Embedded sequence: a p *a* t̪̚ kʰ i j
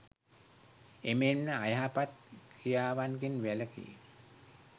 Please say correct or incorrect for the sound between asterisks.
correct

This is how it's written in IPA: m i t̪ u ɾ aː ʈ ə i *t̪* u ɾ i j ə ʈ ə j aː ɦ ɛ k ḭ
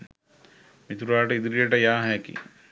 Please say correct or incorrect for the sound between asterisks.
incorrect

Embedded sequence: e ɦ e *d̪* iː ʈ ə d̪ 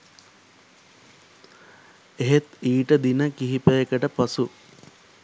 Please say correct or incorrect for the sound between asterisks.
incorrect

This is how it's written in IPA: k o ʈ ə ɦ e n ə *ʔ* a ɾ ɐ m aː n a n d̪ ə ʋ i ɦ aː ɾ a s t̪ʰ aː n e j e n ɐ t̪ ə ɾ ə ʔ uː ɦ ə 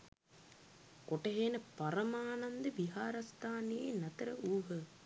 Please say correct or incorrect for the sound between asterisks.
incorrect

